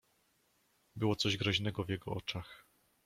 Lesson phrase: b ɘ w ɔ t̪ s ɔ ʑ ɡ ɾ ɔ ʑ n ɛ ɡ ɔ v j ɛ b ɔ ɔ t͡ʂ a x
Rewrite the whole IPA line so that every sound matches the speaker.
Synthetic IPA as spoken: b ɘ w ɔ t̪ s ɔ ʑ ɡ ɾ ɔ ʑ n ɛ ɡ ɔ v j ɛ ɡ ɔ ɔ t͡ʂ a x